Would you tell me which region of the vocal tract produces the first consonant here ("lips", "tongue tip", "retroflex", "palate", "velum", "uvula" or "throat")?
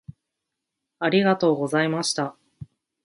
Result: tongue tip